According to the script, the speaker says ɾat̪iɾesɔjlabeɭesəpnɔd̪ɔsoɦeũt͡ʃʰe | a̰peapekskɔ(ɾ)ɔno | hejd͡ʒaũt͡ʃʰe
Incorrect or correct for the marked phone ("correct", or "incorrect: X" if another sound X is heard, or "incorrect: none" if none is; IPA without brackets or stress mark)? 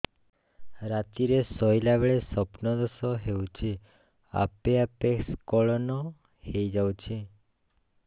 incorrect: ɭ